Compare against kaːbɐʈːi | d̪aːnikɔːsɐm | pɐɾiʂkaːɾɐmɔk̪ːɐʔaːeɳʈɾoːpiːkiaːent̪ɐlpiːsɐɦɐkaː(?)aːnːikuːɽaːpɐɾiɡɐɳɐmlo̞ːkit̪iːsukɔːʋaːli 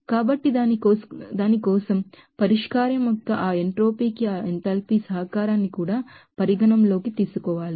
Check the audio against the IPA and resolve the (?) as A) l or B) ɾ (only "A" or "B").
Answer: B